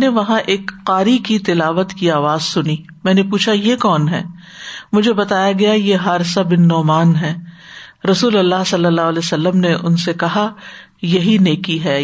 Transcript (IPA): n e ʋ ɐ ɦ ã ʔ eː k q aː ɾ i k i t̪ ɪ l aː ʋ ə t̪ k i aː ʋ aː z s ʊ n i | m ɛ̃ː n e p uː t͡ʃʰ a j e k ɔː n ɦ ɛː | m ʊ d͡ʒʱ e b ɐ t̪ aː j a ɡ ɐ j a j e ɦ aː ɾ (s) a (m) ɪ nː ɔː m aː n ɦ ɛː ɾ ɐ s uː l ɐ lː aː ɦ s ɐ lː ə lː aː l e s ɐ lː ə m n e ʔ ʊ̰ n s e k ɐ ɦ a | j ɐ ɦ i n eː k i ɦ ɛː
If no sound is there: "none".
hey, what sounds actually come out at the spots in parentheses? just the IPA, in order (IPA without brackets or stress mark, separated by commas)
s, b